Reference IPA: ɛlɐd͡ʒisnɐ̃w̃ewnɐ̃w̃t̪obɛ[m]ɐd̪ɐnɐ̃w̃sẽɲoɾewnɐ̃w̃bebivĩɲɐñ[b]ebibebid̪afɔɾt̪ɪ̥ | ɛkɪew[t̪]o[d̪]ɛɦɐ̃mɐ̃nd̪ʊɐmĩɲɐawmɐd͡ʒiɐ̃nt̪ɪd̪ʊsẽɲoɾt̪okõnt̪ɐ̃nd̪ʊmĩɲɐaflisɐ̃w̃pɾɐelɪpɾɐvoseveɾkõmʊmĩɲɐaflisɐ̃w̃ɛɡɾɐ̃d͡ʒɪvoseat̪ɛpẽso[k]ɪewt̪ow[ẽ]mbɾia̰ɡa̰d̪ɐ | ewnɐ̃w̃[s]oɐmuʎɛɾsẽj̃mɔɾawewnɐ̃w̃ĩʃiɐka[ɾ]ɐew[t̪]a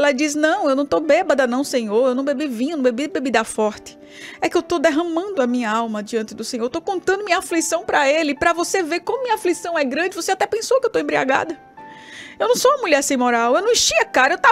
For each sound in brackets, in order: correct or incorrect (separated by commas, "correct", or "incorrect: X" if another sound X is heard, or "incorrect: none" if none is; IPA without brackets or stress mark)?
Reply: incorrect: b, correct, correct, correct, correct, correct, correct, correct, correct